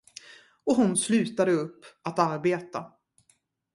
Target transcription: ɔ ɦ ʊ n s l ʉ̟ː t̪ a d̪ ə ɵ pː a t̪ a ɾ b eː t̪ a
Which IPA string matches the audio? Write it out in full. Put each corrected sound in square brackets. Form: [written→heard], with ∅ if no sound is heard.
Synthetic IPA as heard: ɔ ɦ ʊ n s l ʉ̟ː t̪ a d̪ ə ɵ pː a t̪ a ɾ b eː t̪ a